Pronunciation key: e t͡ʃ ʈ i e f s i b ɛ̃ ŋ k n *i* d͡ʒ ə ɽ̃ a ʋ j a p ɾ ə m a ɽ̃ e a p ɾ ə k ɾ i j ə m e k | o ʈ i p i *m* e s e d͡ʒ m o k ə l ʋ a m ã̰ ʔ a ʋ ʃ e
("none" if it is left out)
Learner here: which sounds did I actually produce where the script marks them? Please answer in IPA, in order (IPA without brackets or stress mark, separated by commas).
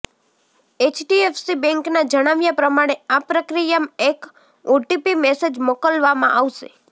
a, m